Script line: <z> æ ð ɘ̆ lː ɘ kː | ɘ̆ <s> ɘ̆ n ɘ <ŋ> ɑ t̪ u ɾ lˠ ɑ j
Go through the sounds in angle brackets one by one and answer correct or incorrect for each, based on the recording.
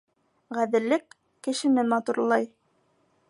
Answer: incorrect, incorrect, incorrect

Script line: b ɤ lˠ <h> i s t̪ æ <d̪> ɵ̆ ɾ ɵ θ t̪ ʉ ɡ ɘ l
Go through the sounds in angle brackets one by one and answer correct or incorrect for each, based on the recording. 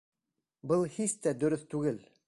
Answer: correct, correct

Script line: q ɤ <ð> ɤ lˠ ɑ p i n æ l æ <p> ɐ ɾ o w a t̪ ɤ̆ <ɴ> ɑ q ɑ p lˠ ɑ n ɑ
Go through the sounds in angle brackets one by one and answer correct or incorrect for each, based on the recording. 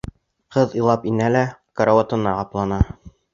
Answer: correct, incorrect, incorrect

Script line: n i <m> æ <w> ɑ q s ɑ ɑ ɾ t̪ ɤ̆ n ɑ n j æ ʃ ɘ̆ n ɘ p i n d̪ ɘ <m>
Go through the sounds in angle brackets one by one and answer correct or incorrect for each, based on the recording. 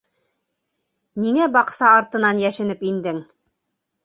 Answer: incorrect, incorrect, incorrect

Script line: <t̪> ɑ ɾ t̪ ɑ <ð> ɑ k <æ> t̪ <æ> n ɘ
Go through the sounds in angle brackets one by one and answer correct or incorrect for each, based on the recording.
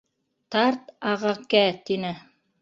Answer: correct, incorrect, correct, incorrect

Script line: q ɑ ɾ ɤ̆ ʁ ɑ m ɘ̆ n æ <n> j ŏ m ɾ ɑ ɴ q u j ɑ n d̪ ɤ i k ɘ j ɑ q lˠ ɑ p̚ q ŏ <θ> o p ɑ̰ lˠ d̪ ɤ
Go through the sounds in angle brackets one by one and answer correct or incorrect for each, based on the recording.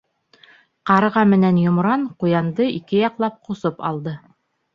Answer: correct, incorrect

